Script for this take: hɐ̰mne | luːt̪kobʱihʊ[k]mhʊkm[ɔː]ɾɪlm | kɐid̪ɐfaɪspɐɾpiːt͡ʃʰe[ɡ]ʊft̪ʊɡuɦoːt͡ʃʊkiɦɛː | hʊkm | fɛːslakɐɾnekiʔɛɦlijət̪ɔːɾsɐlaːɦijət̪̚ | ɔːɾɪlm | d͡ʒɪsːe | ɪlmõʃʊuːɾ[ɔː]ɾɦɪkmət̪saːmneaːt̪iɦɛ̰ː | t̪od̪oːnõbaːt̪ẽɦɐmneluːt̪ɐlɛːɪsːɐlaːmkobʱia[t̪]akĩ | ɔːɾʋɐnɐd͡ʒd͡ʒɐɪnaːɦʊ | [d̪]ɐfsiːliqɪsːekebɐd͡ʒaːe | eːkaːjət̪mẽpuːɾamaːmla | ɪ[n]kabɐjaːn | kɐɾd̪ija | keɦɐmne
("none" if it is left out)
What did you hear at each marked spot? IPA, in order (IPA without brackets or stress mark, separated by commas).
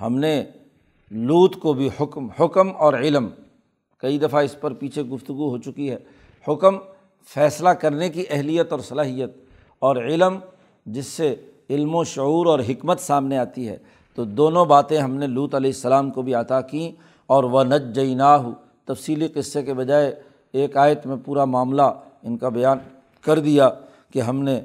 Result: k, ɔː, ɡ, ɔː, t̪, t̪, n